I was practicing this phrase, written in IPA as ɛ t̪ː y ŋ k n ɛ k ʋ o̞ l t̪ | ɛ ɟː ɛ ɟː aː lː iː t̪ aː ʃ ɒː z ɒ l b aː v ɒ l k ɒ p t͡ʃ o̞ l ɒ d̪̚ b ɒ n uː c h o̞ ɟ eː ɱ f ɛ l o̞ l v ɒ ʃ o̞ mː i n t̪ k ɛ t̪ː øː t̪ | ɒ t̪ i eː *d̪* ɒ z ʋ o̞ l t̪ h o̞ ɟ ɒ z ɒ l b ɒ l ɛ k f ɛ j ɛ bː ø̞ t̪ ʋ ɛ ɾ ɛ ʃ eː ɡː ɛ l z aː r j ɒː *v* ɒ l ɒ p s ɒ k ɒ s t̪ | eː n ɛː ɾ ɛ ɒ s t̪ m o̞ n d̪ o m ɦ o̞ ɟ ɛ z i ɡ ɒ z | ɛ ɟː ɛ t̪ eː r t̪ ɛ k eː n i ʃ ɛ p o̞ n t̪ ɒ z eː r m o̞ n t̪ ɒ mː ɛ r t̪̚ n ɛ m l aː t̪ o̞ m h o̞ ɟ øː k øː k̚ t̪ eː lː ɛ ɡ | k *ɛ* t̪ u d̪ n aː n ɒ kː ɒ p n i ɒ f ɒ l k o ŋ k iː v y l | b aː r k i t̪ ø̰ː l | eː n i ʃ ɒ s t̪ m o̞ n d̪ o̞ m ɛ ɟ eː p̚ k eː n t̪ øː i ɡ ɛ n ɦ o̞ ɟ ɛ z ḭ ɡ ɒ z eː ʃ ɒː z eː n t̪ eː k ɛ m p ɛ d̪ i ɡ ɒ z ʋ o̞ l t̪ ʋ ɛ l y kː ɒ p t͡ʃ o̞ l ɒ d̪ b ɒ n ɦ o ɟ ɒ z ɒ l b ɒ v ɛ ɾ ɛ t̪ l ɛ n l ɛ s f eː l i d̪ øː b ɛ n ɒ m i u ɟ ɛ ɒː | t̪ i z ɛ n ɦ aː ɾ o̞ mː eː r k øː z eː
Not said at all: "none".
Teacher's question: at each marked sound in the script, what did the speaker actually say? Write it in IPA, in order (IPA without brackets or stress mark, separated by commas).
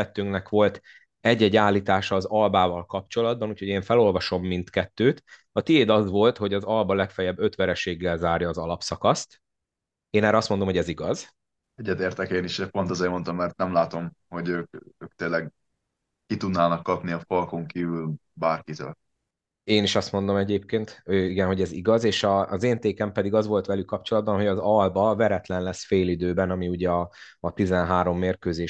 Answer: d̪, z, i